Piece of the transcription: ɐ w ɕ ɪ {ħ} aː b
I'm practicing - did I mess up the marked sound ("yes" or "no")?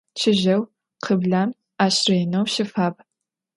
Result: yes